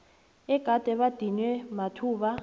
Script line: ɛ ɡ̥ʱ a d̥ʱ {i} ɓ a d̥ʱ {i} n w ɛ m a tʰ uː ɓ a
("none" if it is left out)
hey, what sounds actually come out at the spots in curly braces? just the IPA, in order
ɛ, i

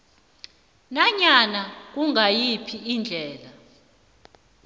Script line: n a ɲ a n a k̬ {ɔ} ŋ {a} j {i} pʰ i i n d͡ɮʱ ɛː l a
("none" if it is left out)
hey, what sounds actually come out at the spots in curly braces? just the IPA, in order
u, a, i

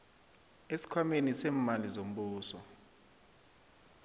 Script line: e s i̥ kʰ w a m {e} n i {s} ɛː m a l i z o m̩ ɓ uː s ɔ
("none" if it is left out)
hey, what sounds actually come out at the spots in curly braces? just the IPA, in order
e, s

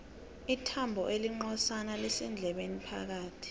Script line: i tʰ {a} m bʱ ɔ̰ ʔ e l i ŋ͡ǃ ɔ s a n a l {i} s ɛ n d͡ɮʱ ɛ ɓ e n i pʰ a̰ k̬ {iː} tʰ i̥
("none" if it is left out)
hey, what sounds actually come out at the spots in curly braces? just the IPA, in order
a, ɛ, aː

